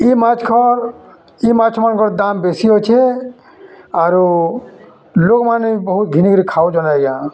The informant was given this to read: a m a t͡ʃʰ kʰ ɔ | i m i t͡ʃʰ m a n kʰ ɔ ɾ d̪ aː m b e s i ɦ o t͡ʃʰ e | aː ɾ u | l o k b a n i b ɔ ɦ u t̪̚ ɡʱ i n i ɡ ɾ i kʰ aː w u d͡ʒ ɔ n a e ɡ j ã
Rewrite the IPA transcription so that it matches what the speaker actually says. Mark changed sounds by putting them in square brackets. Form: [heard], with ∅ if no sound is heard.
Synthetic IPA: [i] m a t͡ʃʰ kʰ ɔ | i m [a] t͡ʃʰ m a n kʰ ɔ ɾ d̪ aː m b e s i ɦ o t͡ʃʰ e | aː ɾ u | l o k [m] a n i b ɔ ɦ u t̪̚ ɡʱ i n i ɡ ɾ i kʰ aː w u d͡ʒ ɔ n a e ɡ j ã